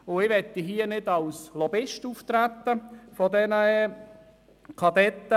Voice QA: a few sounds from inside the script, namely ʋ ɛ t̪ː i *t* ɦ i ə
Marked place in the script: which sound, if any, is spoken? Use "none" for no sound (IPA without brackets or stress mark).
none